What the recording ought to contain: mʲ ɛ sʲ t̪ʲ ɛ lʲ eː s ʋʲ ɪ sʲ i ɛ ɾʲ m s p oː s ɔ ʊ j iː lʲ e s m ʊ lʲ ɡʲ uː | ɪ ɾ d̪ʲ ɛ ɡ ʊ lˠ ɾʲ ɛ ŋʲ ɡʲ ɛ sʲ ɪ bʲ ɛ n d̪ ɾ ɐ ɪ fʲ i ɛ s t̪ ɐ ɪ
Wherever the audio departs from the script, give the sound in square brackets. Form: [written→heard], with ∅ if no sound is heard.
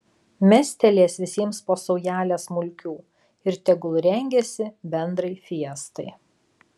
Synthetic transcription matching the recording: mʲ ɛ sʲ t̪ʲ ɛ lʲ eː s ʋʲ ɪ sʲ i ɛ [ɾʲ→∅] m s p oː s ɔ ʊ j [iː→æː] lʲ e s m ʊ lʲ [ɡʲ→kʲ] uː | ɪ ɾ [d̪ʲ→t̪ʲ] ɛ ɡ ʊ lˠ ɾʲ ɛ ŋʲ ɡʲ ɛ sʲ ɪ bʲ ɛ n d̪ ɾ ɐ ɪ fʲ i ɛ s t̪ ɐ ɪ